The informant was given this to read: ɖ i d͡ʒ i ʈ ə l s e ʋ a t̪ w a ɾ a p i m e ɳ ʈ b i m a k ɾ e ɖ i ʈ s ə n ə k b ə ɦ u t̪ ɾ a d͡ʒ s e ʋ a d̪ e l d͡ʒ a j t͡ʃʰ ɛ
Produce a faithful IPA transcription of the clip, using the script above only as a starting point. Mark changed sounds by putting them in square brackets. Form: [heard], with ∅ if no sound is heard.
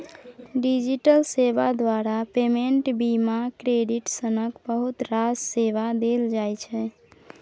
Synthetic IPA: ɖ i d͡ʒ i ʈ ə l s e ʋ a [d̪] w a ɾ a p [e] m e ɳ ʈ b i m a k ɾ e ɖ i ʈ s ə n ə k b ə ɦ u t̪ ɾ a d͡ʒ s e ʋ a d̪ e l d͡ʒ a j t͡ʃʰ ɛ